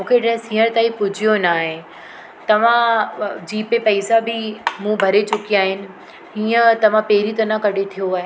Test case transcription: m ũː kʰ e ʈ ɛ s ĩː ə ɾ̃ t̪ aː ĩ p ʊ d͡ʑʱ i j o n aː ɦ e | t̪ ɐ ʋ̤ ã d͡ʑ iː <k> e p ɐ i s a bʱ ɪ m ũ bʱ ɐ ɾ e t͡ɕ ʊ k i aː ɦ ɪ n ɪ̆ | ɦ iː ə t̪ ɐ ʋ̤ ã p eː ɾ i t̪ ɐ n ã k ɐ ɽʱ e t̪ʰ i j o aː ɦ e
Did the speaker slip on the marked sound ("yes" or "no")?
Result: yes